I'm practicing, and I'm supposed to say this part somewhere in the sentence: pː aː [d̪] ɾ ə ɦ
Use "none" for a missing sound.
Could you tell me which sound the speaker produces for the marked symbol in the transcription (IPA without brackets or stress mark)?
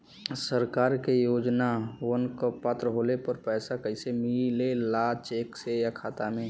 t̪